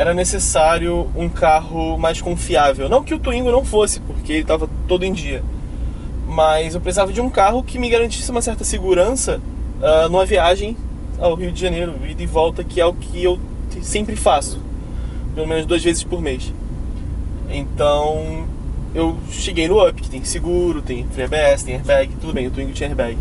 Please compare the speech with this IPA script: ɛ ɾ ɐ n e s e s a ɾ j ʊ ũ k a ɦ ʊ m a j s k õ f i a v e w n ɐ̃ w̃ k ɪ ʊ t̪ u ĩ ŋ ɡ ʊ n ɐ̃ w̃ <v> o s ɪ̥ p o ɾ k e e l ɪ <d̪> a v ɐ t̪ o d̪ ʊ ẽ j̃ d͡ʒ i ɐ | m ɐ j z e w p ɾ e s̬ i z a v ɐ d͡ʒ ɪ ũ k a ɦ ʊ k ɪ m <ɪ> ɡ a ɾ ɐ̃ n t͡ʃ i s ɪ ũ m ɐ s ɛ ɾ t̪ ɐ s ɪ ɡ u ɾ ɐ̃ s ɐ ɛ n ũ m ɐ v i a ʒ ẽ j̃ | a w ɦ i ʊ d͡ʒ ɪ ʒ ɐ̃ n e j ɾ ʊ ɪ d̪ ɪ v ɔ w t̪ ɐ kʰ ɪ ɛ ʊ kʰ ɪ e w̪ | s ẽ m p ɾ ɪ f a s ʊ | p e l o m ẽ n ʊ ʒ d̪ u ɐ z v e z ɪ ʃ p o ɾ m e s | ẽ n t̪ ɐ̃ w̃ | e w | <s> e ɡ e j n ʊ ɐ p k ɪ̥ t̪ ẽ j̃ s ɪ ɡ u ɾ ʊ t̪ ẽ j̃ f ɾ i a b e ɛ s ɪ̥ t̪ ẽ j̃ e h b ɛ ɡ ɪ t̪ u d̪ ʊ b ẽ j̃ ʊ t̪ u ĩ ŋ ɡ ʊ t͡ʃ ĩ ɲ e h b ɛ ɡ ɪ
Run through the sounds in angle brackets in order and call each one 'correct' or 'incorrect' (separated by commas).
incorrect, incorrect, correct, incorrect